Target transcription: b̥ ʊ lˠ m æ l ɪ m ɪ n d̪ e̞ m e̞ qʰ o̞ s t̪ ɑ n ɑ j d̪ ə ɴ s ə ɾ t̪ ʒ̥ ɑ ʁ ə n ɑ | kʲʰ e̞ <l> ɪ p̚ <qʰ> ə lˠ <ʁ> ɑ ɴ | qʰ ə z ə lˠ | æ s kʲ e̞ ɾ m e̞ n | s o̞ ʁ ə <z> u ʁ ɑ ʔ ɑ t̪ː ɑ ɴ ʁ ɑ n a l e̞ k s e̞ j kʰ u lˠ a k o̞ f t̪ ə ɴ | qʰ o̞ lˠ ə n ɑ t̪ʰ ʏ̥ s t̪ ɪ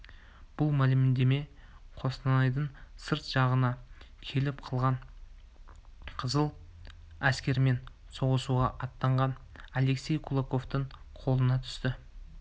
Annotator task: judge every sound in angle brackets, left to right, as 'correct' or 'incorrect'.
correct, correct, correct, incorrect: s

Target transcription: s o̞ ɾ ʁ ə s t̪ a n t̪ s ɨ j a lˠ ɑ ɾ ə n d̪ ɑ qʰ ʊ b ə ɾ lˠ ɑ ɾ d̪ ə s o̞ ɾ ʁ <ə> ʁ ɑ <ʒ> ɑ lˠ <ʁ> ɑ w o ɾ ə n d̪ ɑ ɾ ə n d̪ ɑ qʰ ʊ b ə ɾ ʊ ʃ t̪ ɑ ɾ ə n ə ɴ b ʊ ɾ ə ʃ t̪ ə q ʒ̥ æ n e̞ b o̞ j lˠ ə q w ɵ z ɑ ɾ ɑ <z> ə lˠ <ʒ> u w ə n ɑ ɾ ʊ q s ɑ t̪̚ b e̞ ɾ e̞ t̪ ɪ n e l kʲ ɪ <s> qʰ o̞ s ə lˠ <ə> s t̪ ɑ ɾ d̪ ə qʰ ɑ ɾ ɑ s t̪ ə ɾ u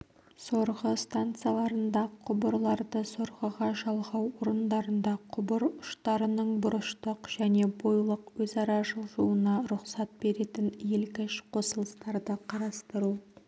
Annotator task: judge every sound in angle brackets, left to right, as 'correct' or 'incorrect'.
correct, correct, correct, incorrect: ʒ, correct, incorrect: ʃ, correct

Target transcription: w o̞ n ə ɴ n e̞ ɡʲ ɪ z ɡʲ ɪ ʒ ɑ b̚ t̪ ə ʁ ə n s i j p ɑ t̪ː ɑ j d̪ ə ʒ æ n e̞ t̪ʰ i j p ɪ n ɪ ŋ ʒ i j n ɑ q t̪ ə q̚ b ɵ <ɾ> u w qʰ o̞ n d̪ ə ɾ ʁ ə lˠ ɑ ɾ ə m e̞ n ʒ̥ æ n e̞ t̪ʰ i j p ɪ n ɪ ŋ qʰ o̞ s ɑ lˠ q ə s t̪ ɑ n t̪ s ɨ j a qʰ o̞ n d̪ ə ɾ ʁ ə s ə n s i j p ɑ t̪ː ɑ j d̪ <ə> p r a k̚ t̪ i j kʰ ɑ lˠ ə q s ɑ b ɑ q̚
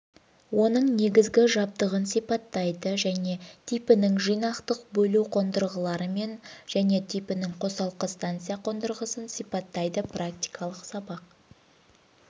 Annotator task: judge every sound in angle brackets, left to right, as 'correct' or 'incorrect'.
incorrect: l, correct

